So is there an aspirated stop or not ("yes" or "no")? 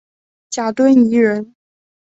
no